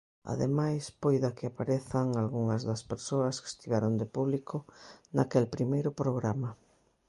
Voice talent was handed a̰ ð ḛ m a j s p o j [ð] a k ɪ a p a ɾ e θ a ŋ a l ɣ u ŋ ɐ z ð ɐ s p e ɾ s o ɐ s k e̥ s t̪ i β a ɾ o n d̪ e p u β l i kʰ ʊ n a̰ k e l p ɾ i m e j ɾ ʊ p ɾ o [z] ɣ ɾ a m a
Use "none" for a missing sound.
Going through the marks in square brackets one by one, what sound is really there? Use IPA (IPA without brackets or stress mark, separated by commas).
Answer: ð, none